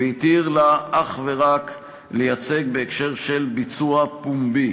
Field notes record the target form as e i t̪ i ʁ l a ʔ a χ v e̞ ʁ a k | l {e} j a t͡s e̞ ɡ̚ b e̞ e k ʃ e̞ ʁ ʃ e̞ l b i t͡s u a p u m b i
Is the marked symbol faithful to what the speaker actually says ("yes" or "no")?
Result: yes